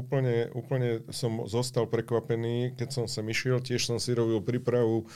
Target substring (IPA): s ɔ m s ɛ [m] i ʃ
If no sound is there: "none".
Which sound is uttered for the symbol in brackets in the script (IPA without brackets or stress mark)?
m